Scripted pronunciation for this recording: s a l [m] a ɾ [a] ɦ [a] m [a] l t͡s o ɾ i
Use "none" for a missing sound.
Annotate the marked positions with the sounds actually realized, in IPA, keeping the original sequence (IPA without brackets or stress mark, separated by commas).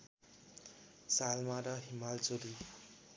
m, ʌ, i, a